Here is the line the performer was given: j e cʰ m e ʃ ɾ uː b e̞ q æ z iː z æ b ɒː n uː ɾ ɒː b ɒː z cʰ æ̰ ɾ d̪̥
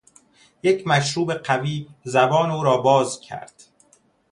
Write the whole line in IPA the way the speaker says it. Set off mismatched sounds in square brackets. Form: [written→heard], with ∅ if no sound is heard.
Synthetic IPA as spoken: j e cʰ m [e→æ] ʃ ɾ uː b e̞ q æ [z→v] iː z æ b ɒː n uː ɾ ɒː b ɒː z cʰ æ̰ ɾ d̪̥